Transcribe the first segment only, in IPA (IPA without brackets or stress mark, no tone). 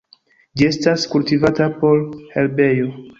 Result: d͡ʒ